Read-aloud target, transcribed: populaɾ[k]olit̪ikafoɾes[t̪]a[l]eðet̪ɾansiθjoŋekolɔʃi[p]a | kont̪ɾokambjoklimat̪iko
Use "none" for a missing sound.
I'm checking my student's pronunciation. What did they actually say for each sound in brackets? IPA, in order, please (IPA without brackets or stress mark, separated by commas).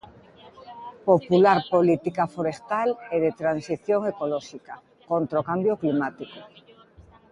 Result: p, t̪, l, k